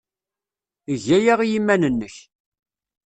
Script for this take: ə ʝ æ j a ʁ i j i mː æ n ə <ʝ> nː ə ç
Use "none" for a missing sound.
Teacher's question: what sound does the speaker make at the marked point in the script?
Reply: none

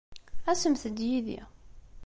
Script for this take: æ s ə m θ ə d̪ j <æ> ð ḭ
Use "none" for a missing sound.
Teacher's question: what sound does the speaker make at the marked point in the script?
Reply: i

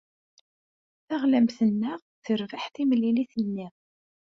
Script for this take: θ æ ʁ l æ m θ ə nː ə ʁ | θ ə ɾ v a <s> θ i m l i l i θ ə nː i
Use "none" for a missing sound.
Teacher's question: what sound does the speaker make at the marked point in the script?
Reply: ħ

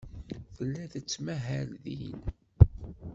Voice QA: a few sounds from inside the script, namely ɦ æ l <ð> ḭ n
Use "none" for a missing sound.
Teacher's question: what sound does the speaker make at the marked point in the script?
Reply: ð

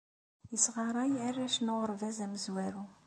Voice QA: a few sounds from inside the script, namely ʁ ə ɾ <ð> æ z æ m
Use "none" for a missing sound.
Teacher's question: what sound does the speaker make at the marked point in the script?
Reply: v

